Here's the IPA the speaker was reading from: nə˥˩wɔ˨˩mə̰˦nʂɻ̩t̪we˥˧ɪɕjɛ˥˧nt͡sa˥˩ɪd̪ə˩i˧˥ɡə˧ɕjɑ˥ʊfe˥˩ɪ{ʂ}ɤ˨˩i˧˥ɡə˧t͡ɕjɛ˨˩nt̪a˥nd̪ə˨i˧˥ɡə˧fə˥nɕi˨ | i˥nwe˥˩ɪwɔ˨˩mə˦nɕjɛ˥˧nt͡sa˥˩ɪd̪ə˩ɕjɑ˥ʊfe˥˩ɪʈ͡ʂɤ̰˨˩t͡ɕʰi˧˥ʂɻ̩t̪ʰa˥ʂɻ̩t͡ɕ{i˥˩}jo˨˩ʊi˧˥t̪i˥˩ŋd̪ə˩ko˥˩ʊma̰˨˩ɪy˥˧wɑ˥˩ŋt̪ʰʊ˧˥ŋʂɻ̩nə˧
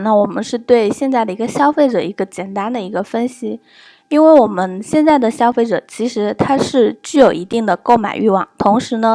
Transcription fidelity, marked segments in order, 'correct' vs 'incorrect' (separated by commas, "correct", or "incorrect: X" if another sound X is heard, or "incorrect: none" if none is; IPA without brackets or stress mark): incorrect: ʈ͡ʂ, incorrect: y˥˩